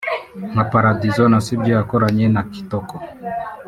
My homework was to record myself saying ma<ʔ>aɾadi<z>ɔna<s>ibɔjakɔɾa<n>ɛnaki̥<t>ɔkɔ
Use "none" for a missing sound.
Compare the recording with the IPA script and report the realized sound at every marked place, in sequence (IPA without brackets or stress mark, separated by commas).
p, z, s, ɲ, t